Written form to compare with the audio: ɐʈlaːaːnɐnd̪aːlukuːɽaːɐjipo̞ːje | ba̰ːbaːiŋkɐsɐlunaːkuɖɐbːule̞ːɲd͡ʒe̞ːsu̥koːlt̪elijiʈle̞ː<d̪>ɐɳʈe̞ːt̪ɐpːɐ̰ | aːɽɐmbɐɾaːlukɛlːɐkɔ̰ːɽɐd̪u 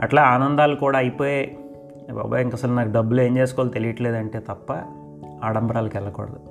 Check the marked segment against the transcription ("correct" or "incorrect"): correct